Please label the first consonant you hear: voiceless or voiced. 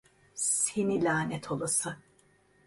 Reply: voiceless